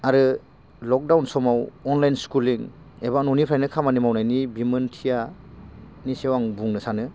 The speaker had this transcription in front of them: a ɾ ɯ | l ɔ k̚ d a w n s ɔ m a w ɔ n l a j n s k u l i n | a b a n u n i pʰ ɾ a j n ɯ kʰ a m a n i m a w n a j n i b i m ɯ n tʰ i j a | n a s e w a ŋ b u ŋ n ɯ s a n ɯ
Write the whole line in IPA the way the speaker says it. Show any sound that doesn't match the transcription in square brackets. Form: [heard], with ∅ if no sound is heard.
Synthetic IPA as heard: a ɾ ɯ | l ɔ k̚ d a w n s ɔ m a w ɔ n l a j n s k u l i [ŋ] | [e] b a n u n i pʰ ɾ a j n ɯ kʰ a m a n i m a w n a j n i b i m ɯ n tʰ i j a | n [i] s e w a ŋ b u ŋ n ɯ s a n ɯ